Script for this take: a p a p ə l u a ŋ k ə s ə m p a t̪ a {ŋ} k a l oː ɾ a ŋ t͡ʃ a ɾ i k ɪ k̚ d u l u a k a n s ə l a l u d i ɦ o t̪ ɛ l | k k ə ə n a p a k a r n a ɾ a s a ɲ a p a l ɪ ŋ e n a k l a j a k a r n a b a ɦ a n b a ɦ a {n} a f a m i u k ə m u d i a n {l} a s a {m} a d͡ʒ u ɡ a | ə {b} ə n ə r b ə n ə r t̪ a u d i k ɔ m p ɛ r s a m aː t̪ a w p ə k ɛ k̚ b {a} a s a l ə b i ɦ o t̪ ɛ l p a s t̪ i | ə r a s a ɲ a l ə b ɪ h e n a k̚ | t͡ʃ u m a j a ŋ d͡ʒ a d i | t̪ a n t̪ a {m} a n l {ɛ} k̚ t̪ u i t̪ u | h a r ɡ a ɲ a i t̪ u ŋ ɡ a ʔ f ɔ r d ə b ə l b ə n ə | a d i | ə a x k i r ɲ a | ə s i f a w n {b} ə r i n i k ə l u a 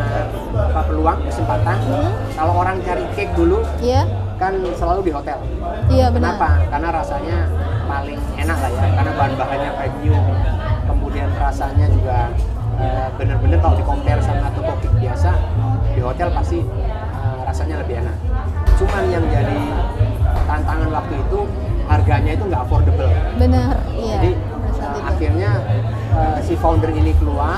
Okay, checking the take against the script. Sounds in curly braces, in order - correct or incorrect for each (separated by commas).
incorrect, incorrect, incorrect, incorrect, correct, incorrect, incorrect, incorrect, incorrect